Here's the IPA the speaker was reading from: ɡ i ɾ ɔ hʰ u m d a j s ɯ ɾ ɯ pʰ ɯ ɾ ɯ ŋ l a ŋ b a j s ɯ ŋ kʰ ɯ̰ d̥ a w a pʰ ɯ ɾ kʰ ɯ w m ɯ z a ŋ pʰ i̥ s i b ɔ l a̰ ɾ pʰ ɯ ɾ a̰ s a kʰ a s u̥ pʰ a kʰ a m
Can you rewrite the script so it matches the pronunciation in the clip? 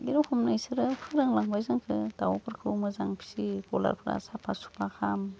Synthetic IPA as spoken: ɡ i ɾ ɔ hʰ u m n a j s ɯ ɾ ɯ pʰ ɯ ɾ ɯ ŋ l a ŋ b a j z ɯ ŋ kʰ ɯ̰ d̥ a w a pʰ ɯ ɾ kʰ ɯ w m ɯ z a ŋ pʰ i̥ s i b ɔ l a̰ ɾ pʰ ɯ ɾ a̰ s a pʰ a s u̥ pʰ a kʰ a m